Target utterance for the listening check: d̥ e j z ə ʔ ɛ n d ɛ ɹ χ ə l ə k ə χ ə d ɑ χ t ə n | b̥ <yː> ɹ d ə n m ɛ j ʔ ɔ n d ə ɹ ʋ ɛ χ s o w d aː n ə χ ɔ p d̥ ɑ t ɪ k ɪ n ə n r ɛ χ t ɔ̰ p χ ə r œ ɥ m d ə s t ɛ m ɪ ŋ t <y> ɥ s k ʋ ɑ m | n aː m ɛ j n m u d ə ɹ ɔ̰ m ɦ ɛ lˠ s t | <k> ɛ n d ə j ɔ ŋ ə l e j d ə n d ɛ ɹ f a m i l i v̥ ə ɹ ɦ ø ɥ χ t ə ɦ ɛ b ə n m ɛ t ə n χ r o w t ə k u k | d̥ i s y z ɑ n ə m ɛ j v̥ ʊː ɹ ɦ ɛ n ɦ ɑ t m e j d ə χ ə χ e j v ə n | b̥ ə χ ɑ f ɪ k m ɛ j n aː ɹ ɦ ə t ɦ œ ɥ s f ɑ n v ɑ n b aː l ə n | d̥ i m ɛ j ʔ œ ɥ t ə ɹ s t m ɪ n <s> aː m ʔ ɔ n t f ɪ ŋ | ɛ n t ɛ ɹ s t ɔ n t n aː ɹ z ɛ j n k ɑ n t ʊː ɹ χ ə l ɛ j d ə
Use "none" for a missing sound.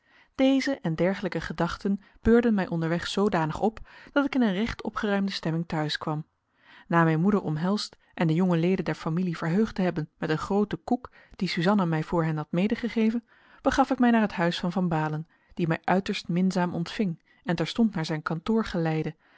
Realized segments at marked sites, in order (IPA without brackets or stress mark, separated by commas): øː, œ, ʔ, z